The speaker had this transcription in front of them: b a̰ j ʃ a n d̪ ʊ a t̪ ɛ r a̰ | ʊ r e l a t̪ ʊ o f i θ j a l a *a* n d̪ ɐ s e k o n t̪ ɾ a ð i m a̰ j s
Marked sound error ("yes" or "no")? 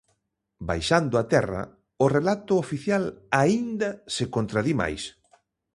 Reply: yes